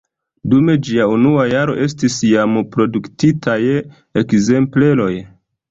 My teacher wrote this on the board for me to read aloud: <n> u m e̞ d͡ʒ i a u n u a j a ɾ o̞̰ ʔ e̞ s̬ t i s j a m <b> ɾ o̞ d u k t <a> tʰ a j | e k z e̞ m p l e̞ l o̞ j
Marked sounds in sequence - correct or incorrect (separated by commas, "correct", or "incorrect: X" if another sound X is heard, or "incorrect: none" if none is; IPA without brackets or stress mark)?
incorrect: d, incorrect: p, incorrect: i